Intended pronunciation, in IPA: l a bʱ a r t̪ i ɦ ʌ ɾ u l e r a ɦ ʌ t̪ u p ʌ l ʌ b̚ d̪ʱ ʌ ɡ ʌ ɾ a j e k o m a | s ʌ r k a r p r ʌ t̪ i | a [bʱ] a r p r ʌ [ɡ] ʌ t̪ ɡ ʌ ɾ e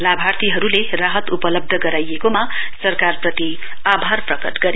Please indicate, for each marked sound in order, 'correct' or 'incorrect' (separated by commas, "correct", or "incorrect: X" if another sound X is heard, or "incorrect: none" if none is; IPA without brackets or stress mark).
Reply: correct, incorrect: k